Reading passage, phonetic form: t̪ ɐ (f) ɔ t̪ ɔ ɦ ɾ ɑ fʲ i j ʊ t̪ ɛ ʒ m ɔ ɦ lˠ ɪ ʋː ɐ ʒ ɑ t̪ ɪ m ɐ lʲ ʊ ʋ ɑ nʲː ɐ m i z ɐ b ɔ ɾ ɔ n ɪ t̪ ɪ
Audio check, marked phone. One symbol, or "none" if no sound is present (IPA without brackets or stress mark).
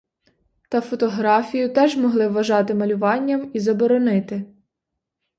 f